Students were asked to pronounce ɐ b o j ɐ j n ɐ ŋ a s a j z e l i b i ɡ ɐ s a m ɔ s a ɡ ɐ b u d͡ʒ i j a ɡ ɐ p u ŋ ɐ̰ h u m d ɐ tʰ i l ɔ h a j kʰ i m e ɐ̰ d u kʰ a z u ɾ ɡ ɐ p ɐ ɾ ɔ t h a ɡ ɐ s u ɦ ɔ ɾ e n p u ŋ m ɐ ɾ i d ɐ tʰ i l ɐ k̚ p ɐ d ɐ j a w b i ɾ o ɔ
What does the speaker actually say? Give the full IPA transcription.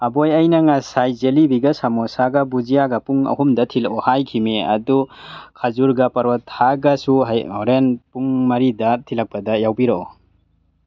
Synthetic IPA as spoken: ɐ b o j ɐ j n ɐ ŋ a s a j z e l i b i ɡ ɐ s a m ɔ s a ɡ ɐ b u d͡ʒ i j a ɡ ɐ p u ŋ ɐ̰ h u m d ɐ tʰ i l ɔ h a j kʰ i m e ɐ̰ d u kʰ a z u ɾ ɡ ɐ p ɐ ɾ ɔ t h a ɡ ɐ s u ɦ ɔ ɾ e n p u ŋ m ɐ ɾ i d ɐ tʰ i l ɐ k̚ p ɐ d ɐ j a w b i ɾ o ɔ